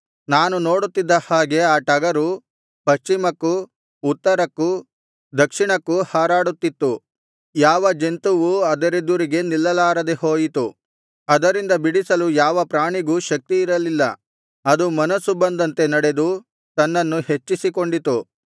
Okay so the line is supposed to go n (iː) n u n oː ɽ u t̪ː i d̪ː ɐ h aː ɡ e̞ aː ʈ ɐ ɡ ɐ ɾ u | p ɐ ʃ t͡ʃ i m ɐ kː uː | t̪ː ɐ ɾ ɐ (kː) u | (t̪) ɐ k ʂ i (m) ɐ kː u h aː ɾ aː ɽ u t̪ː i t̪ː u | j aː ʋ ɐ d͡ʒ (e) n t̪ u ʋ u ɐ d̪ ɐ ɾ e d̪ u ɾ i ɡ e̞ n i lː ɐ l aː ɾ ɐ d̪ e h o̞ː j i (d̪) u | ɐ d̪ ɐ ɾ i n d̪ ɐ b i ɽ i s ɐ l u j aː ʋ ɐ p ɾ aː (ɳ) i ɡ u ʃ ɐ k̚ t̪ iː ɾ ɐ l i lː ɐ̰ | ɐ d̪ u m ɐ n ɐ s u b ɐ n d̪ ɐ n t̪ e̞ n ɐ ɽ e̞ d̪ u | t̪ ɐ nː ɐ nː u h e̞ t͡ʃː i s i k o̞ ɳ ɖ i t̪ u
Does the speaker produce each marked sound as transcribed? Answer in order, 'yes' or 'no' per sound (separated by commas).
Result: no, yes, no, no, yes, no, yes